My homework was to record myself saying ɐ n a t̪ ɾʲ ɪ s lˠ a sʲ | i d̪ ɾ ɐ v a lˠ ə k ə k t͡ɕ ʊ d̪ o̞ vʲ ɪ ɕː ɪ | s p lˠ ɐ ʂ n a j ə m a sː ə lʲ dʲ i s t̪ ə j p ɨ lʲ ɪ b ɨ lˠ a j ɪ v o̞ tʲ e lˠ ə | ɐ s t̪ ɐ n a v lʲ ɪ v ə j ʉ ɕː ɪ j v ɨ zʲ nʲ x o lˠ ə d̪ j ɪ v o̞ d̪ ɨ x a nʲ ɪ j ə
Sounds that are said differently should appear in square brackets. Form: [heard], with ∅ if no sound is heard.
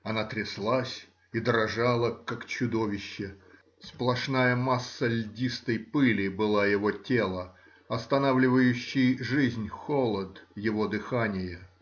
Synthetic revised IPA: ɐ n a t̪ ɾʲ ɪ s lˠ a sʲ | i d̪ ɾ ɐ [ʐ] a lˠ ə k [a] k t͡ɕ ʊ d̪ o̞ vʲ ɪ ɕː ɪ | s p lˠ ɐ ʂ n a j ə m a sː ə lʲ dʲ i s t̪ ə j p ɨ lʲ ɪ b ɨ lˠ a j ɪ v o̞ tʲ e lˠ ə | ɐ s t̪ ɐ n a v lʲ ɪ v ə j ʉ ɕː ɪ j [ʐ] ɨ zʲ nʲ x o lˠ ə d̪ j ɪ v o̞ d̪ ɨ x a nʲ ɪ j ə

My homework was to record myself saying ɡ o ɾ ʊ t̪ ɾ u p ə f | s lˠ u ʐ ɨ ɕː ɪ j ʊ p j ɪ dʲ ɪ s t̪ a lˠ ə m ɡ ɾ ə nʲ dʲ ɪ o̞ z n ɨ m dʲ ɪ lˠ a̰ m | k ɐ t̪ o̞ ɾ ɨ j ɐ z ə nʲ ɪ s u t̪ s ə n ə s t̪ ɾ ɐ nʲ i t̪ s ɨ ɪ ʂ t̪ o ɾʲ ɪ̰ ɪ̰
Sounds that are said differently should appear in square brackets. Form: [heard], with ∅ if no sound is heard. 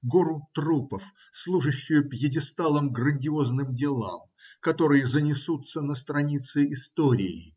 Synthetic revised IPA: ɡ o ɾ ʊ t̪ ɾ u p ə f | s lˠ u ʐ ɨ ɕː ɪ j ʊ p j ɪ dʲ ɪ s t̪ a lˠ ə m ɡ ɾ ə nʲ dʲ ɪ o̞ z n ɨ m dʲ ɪ lˠ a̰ m | k ɐ t̪ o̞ ɾ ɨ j [ə] z ə nʲ ɪ s u t̪ s ə n ə s t̪ ɾ ɐ nʲ i t̪ s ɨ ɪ [s] t̪ o ɾʲ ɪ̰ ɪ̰

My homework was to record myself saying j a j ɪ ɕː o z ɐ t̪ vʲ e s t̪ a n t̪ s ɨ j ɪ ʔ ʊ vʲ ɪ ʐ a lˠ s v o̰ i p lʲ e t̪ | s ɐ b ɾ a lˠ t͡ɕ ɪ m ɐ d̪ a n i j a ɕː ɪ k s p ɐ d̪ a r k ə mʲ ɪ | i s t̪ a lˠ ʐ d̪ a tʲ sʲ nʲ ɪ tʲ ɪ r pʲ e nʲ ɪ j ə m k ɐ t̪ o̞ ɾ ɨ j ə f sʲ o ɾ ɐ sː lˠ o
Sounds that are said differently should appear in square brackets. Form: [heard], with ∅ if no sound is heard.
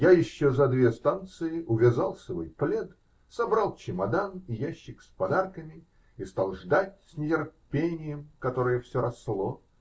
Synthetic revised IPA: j a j ɪ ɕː o z ɐ [d̪] vʲ e s t̪ a n t̪ s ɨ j ɪ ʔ ʊ vʲ ɪ [z] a lˠ s v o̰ [j] p lʲ e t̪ | s ɐ b ɾ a lˠ t͡ɕ ɪ m ɐ d̪ a n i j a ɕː ɪ k s p ɐ d̪ a r k ə mʲ ɪ | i s t̪ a lˠ ʐ d̪ a tʲ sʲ nʲ ɪ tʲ ɪ r pʲ e nʲ ɪ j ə m k ɐ t̪ o̞ ɾ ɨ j ə f sʲ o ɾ ɐ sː lˠ o

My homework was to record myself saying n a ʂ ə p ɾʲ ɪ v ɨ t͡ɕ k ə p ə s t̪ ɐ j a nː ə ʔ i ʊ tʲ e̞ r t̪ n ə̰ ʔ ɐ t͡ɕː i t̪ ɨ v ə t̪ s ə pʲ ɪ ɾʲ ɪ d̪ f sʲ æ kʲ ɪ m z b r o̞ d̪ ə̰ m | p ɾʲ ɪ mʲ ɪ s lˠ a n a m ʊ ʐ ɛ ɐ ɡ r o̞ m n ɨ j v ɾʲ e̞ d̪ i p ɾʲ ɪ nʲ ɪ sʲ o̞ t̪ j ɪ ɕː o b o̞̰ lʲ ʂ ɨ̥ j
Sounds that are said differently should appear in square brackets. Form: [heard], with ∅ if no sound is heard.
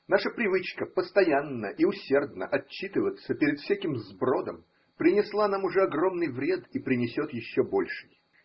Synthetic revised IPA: n a ʂ ə p ɾʲ ɪ v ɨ t͡ɕ k ə p ə s t̪ ɐ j a nː ə ʔ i ʊ [sʲ] e̞ r [d̪] n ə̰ ʔ ɐ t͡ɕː i t̪ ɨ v ə t̪ s ə pʲ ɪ ɾʲ ɪ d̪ f sʲ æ kʲ ɪ m z b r o̞ d̪ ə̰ m | p ɾʲ ɪ [nʲ] ɪ s lˠ a n a m ʊ ʐ ɛ ɐ ɡ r o̞ m n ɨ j v ɾʲ e̞ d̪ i p ɾʲ ɪ nʲ ɪ sʲ o̞ t̪ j ɪ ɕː o b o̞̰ lʲ ʂ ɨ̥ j

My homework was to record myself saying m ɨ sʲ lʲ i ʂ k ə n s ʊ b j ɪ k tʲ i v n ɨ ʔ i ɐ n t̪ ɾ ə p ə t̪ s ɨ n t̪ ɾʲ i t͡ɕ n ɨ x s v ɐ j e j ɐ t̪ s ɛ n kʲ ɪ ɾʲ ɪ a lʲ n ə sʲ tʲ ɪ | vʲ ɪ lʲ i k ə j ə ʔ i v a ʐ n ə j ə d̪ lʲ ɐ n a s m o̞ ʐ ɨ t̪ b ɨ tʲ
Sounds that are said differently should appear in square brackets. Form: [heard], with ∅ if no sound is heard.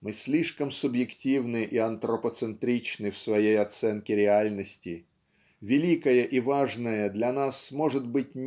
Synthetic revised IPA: m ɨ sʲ lʲ i ʂ k ə [m] s ʊ b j ɪ k tʲ i v n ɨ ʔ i ɐ n t̪ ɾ ə p ə t̪ s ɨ n t̪ ɾʲ i t͡ɕ n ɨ [f] s v ɐ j e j ɐ t̪ s ɛ n kʲ ɪ ɾʲ ɪ a lʲ n ə sʲ tʲ ɪ | vʲ ɪ lʲ i k ə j ə ʔ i v a ʐ n ə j ə d̪ lʲ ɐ n a s m o̞ ʐ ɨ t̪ b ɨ tʲ

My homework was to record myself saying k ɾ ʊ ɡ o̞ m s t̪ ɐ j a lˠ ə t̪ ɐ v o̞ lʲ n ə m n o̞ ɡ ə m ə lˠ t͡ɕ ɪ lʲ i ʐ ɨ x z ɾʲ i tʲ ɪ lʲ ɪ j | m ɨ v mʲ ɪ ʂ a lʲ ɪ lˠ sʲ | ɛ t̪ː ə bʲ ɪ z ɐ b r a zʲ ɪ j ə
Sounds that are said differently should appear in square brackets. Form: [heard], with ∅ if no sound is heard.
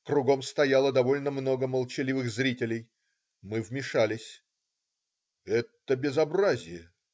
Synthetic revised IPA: k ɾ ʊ ɡ o̞ m s t̪ ɐ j a lˠ ə [d̪] ɐ v o̞ lʲ n ə m n o̞ ɡ ə m ə lˠ t͡ɕ ɪ lʲ i [v] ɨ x z ɾʲ i tʲ ɪ lʲ ɪ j | m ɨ v mʲ ɪ ʂ a lʲ ɪ [∅] sʲ | ɛ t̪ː ə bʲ ɪ z ɐ b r a zʲ ɪ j ə

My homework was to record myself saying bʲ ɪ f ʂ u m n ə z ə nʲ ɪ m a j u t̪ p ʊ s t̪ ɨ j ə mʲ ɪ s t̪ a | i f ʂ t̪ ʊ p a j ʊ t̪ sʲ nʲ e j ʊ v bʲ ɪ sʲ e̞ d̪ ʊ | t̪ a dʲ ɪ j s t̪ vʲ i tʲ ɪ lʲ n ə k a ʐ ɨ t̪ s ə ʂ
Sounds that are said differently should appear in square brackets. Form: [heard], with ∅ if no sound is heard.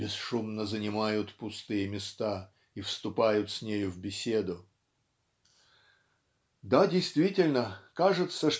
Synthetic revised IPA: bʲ ɪ [s] ʂ u m n ə z ə nʲ ɪ m a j [ʊ] t̪ p ʊ s t̪ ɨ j ə mʲ ɪ s t̪ a | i f [s] t̪ ʊ p a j ʊ t̪ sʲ nʲ e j ʊ v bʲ ɪ sʲ e̞ d̪ ʊ | [d̪] a dʲ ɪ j s t̪ vʲ i tʲ ɪ lʲ n ə k a ʐ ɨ t̪ s ə ʂ

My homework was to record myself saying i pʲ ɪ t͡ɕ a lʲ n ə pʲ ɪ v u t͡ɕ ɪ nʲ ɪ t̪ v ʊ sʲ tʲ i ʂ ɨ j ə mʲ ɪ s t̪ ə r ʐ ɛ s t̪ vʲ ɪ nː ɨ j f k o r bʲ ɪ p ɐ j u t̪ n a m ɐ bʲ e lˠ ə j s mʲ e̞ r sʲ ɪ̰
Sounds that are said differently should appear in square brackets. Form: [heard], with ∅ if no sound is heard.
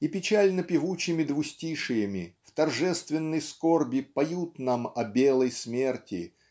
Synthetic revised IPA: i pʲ ɪ t͡ɕ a lʲ n ə pʲ ɪ v u t͡ɕ ɪ [mʲ] ɪ [d̪] v ʊ sʲ tʲ i ʂ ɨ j ə mʲ ɪ [f] t̪ [ɐ] r ʐ ɛ s t̪ vʲ ɪ nː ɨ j [s] k o r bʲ ɪ p ɐ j u t̪ n a m ɐ bʲ e lˠ ə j s mʲ e̞ r [tʲ] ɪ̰

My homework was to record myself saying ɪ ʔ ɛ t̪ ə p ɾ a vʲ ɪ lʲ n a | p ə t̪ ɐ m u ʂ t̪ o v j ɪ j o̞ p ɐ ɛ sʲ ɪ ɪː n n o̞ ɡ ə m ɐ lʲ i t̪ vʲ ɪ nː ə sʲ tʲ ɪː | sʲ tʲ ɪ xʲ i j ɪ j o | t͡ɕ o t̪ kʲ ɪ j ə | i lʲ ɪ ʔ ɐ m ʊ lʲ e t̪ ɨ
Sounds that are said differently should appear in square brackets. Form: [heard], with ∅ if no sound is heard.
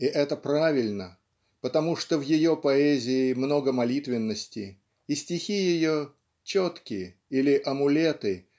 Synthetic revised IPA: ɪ ʔ ɛ t̪ ə p ɾ a vʲ ɪ lʲ n [ə] | p ə t̪ ɐ m u ʂ t̪ o v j ɪ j o̞ p ɐ ɛ [zʲ] ɪ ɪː [m] n o̞ ɡ ə m ɐ lʲ i t̪ vʲ ɪ nː ə sʲ tʲ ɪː | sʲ tʲ ɪ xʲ i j ɪ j o | t͡ɕ o t̪ kʲ ɪ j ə | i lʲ ɪ ʔ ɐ m ʊ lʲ e t̪ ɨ

